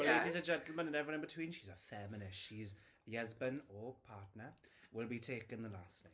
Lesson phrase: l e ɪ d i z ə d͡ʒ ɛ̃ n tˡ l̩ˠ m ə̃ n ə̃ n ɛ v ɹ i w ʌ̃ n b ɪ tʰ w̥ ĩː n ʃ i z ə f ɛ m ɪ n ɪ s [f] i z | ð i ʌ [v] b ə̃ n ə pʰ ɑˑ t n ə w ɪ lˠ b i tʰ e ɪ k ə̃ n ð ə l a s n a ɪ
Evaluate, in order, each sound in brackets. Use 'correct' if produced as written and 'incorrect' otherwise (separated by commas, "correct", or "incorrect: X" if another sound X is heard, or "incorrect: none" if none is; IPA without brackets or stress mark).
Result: incorrect: ʃ, incorrect: z